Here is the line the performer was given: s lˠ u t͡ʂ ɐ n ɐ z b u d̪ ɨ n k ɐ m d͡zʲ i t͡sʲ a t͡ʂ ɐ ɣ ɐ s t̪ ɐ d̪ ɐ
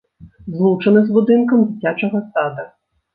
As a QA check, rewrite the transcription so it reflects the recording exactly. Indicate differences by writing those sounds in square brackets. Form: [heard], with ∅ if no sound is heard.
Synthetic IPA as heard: [z] lˠ u t͡ʂ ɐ n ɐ z b u d̪ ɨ n k ɐ m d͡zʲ i t͡sʲ a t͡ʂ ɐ ɣ ɐ s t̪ [a] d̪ ɐ